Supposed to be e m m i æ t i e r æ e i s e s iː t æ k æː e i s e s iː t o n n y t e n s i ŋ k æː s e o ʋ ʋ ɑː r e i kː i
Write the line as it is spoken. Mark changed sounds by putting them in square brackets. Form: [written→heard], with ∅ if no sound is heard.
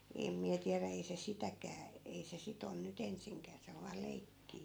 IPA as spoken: e m m i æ t i [e→æ] r æ e i s e s [iː→i] t æ k æː e i s e s [iː→i] t o n n y t e n s i ŋ k æː s e o ʋ ʋ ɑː [r→l] e i kː [i→iː]